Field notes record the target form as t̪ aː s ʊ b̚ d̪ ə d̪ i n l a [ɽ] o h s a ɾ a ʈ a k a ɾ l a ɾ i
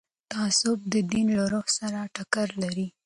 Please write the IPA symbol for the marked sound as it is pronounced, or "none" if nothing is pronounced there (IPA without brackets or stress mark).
ɾ